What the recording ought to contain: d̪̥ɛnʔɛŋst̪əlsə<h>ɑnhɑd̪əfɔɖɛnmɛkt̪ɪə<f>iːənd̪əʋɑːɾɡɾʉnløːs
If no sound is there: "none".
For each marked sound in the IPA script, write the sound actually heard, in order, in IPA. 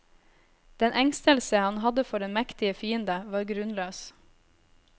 h, f

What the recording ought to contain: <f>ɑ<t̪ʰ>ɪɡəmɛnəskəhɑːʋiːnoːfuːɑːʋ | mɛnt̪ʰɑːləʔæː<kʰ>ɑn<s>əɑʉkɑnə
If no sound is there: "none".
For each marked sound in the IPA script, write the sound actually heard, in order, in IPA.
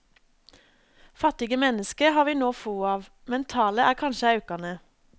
f, t̪, kʰ, ʃ

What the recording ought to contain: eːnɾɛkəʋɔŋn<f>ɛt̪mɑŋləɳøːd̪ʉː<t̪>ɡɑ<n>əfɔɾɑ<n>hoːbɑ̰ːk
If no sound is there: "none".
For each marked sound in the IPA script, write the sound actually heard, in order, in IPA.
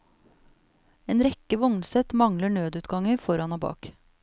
s, t̪, ŋ, n

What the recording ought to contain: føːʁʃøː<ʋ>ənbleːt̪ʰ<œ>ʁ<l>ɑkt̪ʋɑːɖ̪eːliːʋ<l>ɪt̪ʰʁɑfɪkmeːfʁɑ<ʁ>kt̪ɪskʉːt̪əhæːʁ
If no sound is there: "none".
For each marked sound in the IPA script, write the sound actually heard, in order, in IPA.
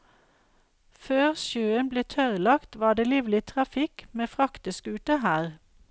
none, œ, l, l, none

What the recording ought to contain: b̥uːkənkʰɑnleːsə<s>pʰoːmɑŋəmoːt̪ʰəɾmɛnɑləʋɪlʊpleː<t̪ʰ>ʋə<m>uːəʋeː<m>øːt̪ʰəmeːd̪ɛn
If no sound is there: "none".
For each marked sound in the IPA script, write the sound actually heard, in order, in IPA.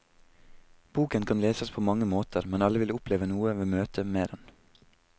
s, none, n, m

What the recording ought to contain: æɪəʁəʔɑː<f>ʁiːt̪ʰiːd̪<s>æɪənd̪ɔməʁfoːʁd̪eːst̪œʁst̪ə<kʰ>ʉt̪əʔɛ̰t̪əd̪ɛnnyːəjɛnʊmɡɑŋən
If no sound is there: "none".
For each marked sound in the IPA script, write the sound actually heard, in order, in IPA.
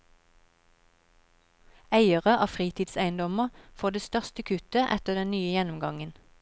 f, s, kʰ

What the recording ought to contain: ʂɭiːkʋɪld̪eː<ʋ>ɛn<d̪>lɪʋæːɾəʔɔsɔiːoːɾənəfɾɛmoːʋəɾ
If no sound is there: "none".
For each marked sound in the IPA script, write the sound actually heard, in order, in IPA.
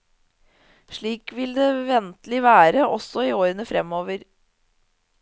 ʋ, t̪

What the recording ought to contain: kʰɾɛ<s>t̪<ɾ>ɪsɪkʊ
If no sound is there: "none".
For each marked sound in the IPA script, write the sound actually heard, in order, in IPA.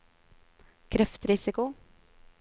f, ɾ

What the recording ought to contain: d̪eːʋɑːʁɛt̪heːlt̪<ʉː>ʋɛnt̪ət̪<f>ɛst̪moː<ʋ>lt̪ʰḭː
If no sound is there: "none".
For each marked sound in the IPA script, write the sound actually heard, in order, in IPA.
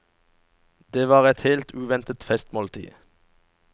ʉː, f, none

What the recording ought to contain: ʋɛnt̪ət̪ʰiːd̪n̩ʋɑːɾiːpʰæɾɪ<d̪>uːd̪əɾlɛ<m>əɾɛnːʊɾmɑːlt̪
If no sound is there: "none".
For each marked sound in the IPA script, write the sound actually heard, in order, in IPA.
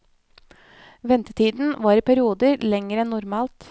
none, ŋ

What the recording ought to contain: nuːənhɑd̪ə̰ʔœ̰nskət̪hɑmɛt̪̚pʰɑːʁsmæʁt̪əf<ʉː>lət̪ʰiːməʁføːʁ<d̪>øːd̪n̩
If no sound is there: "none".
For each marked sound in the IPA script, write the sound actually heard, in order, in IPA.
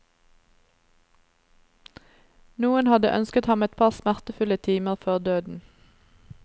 ʉ, d̪

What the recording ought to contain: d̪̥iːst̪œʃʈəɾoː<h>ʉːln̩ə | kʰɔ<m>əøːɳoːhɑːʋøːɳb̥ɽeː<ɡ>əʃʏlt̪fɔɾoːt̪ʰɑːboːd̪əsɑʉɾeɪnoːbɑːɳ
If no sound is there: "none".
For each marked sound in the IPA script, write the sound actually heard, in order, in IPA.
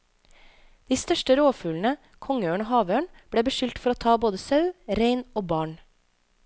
f, ŋ, b

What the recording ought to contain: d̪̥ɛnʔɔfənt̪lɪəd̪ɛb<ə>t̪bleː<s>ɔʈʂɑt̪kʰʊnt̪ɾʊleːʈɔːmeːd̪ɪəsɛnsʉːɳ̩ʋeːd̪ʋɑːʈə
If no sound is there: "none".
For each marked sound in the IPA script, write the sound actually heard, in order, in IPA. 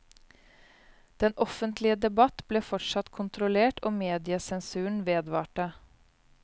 ɑ, f

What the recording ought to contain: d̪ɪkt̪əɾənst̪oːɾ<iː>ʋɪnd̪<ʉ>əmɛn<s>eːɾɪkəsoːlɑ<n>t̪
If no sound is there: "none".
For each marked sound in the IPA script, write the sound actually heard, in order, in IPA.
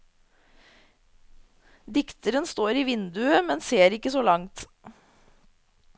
iː, ʉ, s, ŋ

